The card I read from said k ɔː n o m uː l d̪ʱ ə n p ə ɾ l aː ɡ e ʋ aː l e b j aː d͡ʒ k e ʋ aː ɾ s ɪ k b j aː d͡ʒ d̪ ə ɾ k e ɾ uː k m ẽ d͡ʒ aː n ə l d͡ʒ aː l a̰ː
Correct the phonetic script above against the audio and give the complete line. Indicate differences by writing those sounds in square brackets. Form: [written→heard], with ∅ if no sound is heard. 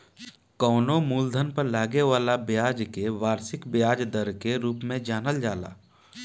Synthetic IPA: k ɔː n o m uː l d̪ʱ ə n p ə ɾ l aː ɡ e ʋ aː l [e→a] b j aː d͡ʒ k e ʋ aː ɾ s ɪ k b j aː d͡ʒ d̪ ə ɾ k e ɾ uː [k→p] m ẽ d͡ʒ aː n ə l d͡ʒ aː l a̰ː